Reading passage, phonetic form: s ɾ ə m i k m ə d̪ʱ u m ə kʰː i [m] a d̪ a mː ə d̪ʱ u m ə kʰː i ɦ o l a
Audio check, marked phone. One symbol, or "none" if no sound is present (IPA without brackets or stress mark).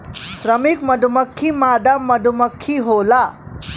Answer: m